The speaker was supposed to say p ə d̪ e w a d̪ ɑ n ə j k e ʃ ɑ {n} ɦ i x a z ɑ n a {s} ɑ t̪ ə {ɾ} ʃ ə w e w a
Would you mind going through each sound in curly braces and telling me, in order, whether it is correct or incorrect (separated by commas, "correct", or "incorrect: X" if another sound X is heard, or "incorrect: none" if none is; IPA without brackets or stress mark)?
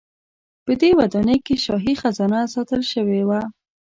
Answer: incorrect: none, correct, incorrect: l